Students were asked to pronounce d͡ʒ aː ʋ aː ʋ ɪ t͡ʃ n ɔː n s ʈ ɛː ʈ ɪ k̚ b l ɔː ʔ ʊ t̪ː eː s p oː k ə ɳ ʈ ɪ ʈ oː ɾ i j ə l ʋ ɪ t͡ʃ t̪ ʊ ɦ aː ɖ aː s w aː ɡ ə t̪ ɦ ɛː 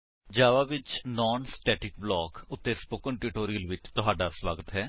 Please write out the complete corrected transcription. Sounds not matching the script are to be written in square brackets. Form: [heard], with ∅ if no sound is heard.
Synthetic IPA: d͡ʒ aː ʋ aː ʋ ɪ t͡ʃ n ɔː n s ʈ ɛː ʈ ɪ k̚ b l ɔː [k] ʊ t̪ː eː s p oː k ə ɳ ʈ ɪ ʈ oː ɾ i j ə l ʋ ɪ t͡ʃ t̪ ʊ ɦ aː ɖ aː s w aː ɡ ə t̪ ɦ ɛː